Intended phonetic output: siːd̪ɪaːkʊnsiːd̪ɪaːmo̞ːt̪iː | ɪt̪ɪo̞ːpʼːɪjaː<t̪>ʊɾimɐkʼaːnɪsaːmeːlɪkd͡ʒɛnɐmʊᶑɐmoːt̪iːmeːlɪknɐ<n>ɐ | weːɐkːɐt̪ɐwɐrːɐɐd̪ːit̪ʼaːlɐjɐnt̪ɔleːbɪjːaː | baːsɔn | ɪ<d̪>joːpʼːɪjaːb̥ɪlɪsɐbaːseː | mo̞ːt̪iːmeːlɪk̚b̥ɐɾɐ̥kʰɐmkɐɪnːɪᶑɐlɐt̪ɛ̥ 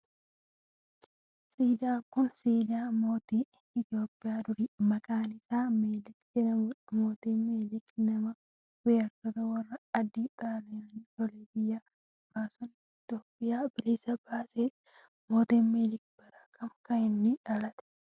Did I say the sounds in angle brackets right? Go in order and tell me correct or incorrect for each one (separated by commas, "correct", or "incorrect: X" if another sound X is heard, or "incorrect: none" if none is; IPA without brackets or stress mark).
incorrect: d̪, incorrect: m, incorrect: t̪